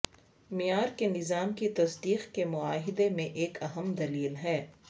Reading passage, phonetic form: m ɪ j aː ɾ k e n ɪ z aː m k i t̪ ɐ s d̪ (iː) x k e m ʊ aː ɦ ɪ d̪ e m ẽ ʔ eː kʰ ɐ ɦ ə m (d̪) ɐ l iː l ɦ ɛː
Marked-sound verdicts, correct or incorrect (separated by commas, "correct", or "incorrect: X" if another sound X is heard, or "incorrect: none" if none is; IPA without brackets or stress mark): correct, correct